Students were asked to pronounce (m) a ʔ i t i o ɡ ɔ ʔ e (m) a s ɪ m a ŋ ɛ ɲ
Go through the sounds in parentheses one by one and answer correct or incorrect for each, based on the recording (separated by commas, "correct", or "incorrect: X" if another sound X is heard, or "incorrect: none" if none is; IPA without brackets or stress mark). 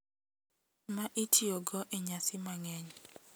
correct, incorrect: ɲ